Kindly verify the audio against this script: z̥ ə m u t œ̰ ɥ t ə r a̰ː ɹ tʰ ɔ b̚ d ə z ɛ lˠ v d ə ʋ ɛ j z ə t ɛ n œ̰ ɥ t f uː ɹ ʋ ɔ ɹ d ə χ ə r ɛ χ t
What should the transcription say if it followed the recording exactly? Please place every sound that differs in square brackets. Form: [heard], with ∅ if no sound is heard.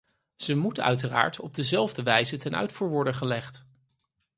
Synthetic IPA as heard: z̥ ə m u t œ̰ ɥ t ə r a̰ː ɹ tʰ ɔ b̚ d ə z ɛ lˠ v d ə ʋ ɛ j z ə t ɛ n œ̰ ɥ t f uː ɹ ʋ ɔ ɹ d ə χ ə [l] ɛ χ t